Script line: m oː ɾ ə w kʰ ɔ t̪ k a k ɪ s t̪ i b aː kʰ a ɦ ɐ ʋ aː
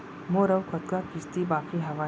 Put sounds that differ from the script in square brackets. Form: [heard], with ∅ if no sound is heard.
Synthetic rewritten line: m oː ɾ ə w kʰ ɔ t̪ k a k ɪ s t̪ i b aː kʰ [i] ɦ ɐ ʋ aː